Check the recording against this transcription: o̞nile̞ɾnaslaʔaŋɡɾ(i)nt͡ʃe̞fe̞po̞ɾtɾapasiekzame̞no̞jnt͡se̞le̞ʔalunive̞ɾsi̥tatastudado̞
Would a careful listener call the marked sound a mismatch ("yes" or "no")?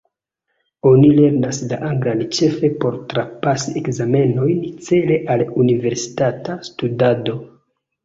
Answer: yes